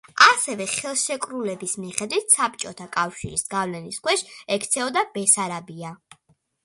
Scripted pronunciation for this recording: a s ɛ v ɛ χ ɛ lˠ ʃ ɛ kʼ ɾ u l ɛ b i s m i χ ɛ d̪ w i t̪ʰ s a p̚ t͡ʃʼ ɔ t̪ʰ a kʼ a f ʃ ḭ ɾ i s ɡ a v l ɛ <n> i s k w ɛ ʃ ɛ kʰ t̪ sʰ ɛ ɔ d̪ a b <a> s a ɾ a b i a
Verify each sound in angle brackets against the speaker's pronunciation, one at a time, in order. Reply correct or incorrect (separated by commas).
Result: correct, incorrect